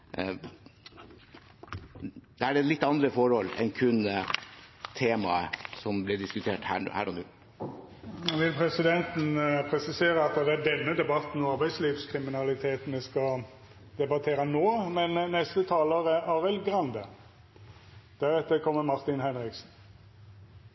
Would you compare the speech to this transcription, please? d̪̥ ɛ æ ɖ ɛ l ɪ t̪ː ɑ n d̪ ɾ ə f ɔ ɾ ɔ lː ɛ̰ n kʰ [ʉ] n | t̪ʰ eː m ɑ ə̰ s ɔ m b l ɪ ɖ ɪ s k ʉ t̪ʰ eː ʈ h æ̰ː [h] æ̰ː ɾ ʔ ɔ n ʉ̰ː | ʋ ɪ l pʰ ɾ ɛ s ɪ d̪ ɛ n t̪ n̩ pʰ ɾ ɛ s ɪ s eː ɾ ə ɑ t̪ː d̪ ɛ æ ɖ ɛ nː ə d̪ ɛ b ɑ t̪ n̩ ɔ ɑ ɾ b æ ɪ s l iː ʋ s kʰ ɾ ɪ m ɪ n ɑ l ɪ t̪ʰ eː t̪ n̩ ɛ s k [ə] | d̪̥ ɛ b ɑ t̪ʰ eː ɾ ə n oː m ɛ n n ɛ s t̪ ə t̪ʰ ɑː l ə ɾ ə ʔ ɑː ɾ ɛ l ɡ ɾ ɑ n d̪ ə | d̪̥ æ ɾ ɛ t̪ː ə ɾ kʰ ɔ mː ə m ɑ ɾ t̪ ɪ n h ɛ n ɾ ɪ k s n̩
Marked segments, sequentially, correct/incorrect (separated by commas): correct, correct, incorrect